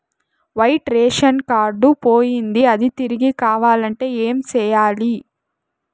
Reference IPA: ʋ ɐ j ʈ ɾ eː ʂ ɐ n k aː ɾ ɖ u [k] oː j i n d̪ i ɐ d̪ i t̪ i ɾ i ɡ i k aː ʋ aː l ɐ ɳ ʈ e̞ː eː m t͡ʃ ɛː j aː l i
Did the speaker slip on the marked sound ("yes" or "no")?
yes